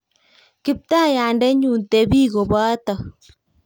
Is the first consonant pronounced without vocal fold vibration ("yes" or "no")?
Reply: yes